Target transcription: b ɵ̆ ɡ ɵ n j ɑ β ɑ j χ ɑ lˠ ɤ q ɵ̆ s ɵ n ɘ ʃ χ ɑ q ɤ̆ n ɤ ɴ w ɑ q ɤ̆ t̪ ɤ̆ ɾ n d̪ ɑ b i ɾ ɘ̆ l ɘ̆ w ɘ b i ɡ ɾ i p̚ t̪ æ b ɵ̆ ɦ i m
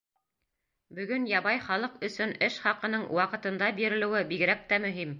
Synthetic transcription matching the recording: b ɵ̆ ɡ ɵ n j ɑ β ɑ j χ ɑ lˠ ɤ q ɵ̆ s ɵ n ɘ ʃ χ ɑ q ɤ̆ n ɤ ɴ w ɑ q ɤ̆ t̪ ɤ̆ n d̪ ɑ b i ɾ ɘ̆ l ɘ̆ w ɘ b i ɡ ɾ æ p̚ t̪ æ m ɵ̆ ɦ i m